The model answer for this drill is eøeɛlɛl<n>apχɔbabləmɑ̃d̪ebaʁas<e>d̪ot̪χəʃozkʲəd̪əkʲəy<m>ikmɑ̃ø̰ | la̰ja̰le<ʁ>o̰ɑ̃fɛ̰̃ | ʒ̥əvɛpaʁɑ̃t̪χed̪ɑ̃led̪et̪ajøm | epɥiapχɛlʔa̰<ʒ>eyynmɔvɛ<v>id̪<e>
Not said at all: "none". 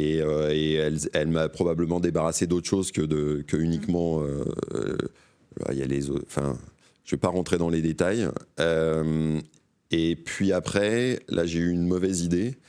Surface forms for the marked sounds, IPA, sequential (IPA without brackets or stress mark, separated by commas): m, e, n, z, ʒ, z, e